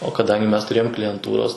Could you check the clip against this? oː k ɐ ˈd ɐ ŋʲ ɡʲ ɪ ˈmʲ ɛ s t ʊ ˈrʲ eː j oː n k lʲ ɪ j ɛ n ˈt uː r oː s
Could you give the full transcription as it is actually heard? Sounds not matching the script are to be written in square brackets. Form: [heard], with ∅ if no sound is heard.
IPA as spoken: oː k ɐ ˈd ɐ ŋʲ ɡʲ ɪ ˈmʲ ɛ s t ʊ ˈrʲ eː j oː [m] k lʲ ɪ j ɛ n ˈt uː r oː s